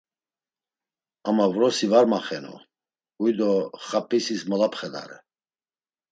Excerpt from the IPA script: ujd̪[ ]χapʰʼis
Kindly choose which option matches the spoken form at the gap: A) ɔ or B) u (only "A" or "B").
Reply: A